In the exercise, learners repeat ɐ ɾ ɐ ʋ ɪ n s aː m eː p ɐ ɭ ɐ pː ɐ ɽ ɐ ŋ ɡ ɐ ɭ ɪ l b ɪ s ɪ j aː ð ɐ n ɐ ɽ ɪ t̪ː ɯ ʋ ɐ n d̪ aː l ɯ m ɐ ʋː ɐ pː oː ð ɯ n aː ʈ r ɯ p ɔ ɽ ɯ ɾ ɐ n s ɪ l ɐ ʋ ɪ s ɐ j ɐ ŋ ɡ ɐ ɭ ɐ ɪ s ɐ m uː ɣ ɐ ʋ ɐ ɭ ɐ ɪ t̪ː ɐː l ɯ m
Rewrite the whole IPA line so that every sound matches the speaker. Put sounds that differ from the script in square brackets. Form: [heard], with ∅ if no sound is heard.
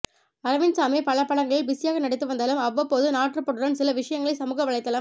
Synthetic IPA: ɐ ɾ ɐ ʋ ɪ n s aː m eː p ɐ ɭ ɐ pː ɐ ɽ ɐ ŋ ɡ ɐ ɭ ɪ l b ɪ s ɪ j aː [ɣ] ɐ n ɐ ɽ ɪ t̪ː ɯ ʋ ɐ n d̪ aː l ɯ m ɐ ʋː ɐ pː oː ð ɯ n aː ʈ r ɯ p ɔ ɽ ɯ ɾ ɐ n s ɪ l ɐ ʋ ɪ [ʂ] ɐ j ɐ ŋ ɡ ɐ ɭ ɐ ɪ s ɐ m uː ɣ ɐ ʋ ɐ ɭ ɐ ɪ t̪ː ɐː l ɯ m